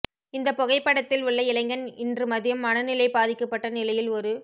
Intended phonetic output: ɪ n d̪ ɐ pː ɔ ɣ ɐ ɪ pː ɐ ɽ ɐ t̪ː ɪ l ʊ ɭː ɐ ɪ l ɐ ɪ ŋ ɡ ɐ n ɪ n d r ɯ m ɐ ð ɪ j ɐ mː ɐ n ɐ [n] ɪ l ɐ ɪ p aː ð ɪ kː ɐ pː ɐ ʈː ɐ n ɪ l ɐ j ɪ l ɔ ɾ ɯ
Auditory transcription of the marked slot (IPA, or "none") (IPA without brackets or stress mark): n